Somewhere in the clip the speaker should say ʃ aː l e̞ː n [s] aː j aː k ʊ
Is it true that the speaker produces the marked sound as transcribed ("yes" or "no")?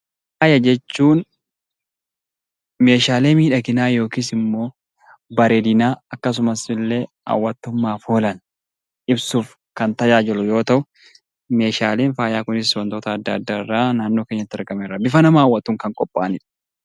no